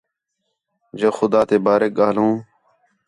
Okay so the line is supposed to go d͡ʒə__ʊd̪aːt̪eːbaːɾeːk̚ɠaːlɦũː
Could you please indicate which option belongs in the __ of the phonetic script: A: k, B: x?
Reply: B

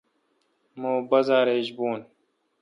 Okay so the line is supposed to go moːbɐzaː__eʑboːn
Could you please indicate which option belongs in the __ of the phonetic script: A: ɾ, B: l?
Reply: A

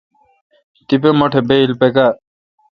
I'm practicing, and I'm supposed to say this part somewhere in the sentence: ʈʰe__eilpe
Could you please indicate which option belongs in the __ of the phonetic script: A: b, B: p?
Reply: A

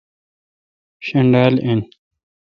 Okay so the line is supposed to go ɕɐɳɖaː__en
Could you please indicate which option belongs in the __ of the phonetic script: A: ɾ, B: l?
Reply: B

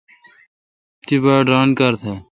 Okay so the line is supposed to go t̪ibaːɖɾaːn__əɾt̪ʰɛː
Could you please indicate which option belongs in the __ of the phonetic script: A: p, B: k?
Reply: B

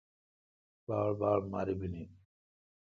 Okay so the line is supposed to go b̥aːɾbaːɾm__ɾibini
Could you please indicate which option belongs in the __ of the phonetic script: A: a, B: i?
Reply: A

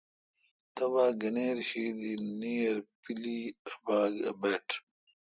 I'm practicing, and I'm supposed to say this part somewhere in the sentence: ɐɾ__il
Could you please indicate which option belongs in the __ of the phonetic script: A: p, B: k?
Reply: A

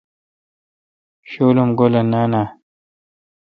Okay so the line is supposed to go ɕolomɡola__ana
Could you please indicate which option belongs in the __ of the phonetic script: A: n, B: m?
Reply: A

